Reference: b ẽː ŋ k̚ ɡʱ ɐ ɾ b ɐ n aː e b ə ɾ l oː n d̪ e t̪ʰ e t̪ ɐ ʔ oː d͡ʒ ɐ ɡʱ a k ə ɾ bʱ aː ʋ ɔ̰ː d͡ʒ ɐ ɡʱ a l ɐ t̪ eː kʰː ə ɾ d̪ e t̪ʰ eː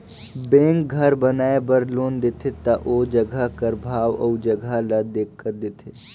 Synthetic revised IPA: b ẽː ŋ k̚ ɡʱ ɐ ɾ b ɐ n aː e b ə ɾ l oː n d̪ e t̪ʰ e t̪ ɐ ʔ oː d͡ʒ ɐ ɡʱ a k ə ɾ bʱ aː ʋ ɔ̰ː d͡ʒ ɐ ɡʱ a l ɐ d̪ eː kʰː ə ɾ d̪ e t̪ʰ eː